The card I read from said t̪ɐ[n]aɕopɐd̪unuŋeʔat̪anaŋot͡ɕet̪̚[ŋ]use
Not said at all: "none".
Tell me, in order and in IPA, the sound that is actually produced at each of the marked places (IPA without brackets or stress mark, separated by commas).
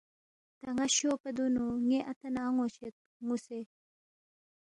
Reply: ŋ, ŋ